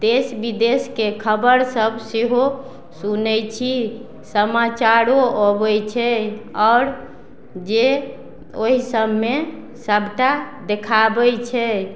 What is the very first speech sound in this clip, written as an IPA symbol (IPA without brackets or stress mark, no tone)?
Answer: d̪